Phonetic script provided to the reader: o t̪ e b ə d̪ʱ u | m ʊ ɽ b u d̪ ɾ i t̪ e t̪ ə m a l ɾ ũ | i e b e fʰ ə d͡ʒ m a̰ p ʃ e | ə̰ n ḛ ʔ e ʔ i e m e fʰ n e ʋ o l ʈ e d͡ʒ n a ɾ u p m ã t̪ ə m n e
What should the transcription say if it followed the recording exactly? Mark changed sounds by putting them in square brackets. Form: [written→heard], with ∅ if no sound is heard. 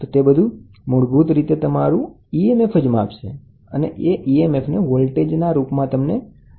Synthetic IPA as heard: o t̪ e b ə d̪ʱ u | m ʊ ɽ b u [d̪→t̪] ɾ i t̪ e t̪ ə m a [l→∅] ɾ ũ | i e [b→m] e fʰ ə d͡ʒ m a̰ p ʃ e | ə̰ n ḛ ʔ e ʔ i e m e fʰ n e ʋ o l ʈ e d͡ʒ n a ɾ u p m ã t̪ ə m n e